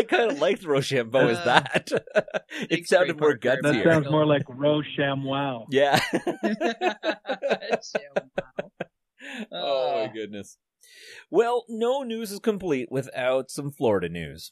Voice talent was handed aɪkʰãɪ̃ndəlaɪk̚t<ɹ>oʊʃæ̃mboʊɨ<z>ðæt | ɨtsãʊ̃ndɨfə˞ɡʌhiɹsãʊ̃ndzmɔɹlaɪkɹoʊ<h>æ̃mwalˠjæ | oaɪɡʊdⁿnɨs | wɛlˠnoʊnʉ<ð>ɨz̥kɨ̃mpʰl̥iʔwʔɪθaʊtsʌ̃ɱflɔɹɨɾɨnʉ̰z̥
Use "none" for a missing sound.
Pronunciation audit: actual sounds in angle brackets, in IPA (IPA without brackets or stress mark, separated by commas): ɹ, z, ʃ, z